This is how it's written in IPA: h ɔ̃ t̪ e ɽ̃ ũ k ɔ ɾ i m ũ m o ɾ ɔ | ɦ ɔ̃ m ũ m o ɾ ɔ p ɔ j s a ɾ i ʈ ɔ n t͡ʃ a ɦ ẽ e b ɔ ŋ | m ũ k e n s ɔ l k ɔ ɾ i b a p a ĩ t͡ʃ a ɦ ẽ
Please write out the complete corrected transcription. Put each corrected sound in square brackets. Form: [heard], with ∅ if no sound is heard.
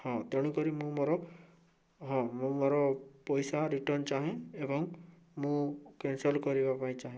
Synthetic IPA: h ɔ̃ t̪ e ɽ̃ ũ k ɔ ɾ i m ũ m o ɾ ɔ | ɦ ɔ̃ m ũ m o ɾ ɔ p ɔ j s a ɾ i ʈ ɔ n t͡ʃ a ɦ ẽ e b ɔ ŋ | m ũ k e n s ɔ l k ɔ ɾ i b a p a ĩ t͡ʃ a ɦ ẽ